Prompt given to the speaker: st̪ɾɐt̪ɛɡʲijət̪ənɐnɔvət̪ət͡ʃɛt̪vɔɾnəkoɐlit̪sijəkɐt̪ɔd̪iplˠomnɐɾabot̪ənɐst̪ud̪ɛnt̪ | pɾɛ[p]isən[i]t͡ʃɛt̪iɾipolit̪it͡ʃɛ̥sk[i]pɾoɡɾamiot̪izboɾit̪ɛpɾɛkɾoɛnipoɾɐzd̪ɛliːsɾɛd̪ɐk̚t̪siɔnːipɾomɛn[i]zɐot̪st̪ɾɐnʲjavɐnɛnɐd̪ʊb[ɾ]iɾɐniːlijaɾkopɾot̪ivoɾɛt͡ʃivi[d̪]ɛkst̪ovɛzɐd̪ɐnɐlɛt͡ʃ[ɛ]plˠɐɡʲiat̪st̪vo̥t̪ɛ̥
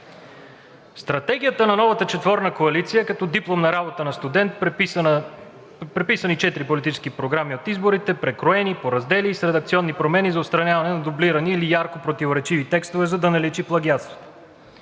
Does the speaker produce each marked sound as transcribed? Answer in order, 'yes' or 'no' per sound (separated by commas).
yes, yes, yes, yes, no, no, no